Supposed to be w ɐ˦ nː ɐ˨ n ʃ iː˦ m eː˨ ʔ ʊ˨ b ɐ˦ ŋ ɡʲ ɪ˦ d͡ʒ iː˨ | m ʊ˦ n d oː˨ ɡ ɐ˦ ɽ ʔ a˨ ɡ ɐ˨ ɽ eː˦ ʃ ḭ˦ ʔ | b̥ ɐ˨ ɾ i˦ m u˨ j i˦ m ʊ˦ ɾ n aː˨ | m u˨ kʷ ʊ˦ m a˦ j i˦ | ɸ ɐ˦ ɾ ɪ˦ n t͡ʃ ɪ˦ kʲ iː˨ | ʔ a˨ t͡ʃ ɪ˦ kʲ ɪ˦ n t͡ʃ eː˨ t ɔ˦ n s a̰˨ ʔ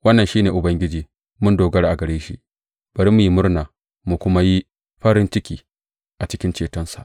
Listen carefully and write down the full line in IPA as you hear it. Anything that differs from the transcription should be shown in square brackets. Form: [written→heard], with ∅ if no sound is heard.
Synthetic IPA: w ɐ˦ nː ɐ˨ n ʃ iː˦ [m→n] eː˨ ʔ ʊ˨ b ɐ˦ ŋ ɡʲ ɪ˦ d͡ʒ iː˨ | m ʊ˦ n d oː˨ ɡ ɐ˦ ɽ ʔ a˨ ɡ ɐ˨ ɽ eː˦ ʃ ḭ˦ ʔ | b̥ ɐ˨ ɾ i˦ m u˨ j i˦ m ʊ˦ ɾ n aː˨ | m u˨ kʷ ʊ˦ m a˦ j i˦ | ɸ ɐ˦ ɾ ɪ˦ n t͡ʃ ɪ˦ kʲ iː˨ | ʔ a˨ t͡ʃ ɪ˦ kʲ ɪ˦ n t͡ʃ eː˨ t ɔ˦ n s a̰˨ ʔ